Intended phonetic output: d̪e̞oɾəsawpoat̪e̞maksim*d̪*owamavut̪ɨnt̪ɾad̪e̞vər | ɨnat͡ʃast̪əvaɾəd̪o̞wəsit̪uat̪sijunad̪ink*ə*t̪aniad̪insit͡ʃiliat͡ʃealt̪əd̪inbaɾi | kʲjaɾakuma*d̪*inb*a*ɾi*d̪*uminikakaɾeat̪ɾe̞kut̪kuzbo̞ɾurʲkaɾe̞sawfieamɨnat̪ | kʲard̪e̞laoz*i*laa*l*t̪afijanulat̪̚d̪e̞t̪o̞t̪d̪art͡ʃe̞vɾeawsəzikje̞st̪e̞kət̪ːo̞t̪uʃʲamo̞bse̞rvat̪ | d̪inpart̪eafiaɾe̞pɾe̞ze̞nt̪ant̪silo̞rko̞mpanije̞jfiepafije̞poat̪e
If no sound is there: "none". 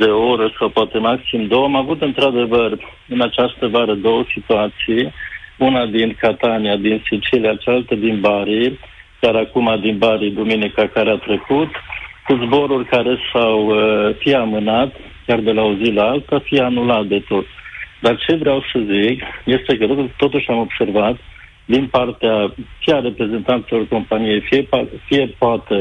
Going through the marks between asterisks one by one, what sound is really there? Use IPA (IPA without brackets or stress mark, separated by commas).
d̪, a, d̪, a, d̪, i, l